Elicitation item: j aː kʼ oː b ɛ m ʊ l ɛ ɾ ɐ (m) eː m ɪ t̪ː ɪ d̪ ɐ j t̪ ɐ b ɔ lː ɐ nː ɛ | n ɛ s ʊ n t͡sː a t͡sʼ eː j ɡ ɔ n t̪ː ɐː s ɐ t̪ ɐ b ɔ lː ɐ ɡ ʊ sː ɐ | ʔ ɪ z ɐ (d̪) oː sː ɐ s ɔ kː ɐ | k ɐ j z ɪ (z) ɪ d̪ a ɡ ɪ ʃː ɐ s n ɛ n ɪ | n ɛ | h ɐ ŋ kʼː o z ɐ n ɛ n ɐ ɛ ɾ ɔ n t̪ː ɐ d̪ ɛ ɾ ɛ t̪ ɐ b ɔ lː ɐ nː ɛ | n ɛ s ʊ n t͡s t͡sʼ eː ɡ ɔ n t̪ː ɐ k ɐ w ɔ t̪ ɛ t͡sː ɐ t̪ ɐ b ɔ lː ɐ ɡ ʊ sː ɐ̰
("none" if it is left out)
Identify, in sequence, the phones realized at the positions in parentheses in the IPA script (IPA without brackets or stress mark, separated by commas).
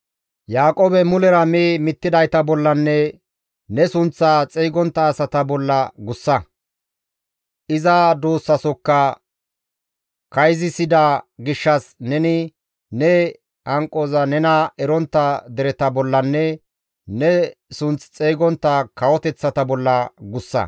m, d̪, s